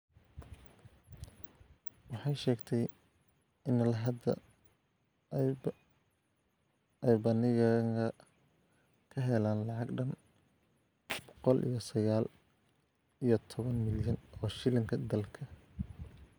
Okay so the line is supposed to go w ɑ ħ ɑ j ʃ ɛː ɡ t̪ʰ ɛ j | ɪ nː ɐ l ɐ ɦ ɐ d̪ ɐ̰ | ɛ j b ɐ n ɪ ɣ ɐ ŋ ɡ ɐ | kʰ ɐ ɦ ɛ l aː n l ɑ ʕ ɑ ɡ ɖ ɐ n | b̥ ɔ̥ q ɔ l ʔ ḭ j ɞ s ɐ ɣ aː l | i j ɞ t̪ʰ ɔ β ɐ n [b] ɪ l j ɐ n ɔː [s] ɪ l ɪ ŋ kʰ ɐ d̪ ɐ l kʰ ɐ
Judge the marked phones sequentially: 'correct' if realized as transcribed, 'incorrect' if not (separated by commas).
incorrect, incorrect